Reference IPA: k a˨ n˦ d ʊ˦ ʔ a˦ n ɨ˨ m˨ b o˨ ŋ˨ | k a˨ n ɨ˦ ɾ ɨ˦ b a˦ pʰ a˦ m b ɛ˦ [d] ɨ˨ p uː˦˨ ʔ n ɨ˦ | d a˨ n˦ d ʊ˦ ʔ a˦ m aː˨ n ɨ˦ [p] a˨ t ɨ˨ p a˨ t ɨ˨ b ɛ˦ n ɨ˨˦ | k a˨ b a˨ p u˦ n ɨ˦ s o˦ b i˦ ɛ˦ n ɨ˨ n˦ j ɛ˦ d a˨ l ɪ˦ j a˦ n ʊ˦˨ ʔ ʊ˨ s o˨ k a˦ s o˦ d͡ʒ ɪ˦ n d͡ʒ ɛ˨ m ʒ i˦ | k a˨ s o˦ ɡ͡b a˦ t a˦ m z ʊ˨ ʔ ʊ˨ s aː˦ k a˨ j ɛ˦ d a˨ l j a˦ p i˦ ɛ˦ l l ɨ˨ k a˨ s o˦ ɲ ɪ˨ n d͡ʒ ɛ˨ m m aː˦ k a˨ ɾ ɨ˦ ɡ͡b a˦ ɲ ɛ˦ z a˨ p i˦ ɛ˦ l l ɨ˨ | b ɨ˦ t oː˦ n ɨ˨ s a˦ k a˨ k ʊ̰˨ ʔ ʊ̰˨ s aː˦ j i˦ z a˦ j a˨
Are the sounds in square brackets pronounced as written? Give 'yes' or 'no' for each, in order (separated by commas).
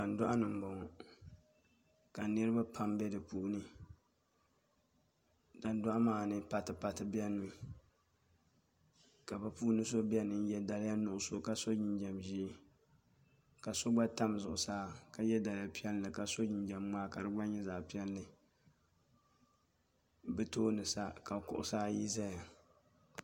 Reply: yes, yes